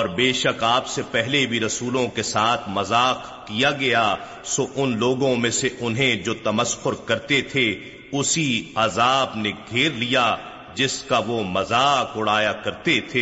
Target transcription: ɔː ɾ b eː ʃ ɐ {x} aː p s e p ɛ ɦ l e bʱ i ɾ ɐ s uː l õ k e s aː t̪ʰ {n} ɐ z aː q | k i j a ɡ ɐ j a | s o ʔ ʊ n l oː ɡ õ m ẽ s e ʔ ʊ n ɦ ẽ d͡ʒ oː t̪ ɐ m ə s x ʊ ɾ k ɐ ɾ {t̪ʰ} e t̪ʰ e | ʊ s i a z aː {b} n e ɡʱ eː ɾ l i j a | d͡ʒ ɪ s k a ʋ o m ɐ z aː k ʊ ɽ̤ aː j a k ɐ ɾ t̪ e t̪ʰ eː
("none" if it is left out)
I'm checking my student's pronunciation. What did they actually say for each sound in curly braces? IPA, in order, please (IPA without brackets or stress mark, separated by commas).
k, m, t̪, b